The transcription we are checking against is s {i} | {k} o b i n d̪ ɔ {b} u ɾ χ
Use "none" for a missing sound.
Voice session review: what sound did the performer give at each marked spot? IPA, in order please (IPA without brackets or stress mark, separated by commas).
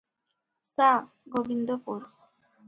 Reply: a, ɡ, p